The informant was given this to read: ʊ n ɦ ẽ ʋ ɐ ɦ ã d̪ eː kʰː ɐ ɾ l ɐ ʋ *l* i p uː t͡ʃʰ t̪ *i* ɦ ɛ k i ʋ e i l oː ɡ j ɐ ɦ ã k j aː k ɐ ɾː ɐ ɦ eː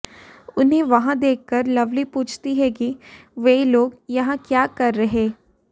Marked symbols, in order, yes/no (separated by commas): yes, yes